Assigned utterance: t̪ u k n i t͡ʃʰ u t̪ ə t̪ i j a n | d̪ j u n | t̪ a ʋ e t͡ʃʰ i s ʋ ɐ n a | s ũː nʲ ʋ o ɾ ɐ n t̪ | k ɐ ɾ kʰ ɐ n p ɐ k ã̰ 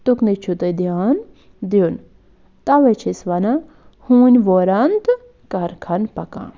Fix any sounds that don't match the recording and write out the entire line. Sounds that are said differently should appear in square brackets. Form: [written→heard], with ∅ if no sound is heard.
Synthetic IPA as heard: t̪ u k n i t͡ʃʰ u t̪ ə [t̪→d̪] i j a n | d̪ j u n | t̪ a ʋ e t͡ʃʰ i s ʋ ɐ n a | [s→h] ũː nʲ ʋ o ɾ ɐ n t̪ | k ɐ ɾ kʰ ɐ n p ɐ k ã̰

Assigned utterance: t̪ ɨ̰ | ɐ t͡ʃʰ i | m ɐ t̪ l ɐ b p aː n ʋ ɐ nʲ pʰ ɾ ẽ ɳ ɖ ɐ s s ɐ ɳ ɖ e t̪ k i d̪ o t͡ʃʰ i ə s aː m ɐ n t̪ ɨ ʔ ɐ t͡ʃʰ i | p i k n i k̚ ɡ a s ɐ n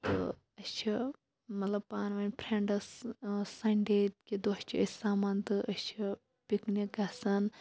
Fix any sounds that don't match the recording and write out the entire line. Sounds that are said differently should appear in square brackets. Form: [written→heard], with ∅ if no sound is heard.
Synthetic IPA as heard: t̪ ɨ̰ | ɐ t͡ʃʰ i | m ɐ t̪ l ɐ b p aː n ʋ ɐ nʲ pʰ ɾ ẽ ɳ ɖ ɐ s s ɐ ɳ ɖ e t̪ k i d̪ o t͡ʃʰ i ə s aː m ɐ n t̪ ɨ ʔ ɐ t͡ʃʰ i | p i k n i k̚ ɡ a s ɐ n

